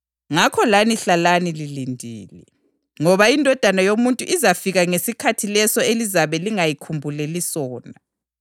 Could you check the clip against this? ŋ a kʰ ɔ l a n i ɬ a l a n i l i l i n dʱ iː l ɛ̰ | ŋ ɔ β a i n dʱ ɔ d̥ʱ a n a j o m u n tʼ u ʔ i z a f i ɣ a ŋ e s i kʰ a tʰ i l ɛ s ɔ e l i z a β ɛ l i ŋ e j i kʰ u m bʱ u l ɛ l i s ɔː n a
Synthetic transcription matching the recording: ŋ a kʰ ɔ l a n i ɬ a l a n i l i l i n dʱ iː l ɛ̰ | ŋ ɔ β a i n dʱ ɔ d̥ʱ a n a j o m u n tʼ u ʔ i z a f i ɣ a ŋ e s i kʰ a tʰ i l ɛ s ɔ e l i z a β ɛ l i ŋ a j i kʰ u m bʱ u l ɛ l i s ɔː n a